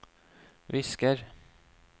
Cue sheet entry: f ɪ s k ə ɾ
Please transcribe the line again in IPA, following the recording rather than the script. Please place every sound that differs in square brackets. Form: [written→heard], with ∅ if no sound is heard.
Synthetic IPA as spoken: [f→v] ɪ s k ə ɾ